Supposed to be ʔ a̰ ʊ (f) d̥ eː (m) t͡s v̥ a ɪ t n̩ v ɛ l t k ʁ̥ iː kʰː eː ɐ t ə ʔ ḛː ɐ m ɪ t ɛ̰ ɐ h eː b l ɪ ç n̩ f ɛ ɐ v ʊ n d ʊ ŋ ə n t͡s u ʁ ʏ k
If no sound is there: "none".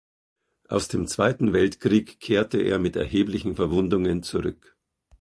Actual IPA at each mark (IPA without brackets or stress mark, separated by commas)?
s, m